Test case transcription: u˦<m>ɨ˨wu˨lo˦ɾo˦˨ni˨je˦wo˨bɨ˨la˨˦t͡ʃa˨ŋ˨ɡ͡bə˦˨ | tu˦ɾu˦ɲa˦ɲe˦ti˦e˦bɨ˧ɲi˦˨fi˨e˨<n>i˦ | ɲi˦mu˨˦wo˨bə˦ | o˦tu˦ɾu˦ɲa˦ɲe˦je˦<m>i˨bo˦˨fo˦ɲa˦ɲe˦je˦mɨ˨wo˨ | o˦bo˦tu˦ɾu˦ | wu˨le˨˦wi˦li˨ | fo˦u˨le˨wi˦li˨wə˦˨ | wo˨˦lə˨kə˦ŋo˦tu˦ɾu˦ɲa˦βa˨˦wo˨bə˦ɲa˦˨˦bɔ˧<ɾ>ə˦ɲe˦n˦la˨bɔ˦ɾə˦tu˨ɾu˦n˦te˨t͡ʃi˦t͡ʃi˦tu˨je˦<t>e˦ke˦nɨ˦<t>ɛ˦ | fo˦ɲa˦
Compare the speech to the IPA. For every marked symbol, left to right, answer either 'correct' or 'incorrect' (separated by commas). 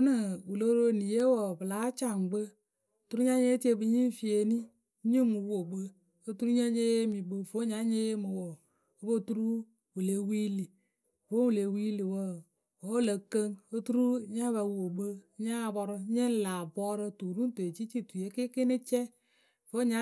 incorrect, correct, correct, correct, incorrect, incorrect